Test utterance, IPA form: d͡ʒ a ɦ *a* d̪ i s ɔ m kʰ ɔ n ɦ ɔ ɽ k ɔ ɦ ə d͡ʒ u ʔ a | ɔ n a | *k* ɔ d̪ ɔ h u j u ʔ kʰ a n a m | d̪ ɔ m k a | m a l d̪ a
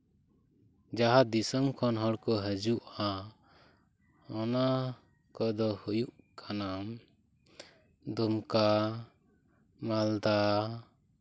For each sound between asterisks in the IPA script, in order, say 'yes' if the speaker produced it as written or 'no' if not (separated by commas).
yes, yes